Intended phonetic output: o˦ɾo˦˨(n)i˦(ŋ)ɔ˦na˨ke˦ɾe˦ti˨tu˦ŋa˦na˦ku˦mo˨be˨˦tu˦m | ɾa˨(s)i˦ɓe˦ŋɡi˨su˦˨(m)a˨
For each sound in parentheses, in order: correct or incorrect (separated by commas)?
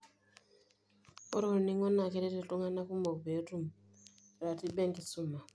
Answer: correct, correct, incorrect, correct